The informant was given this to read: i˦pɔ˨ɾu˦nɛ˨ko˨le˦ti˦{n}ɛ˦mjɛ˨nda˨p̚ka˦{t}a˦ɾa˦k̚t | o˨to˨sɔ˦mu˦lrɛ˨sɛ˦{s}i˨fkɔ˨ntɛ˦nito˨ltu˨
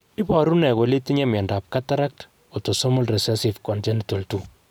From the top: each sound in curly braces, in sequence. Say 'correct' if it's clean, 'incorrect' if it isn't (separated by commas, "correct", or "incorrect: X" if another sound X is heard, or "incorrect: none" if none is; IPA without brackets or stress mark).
incorrect: ɲ, correct, correct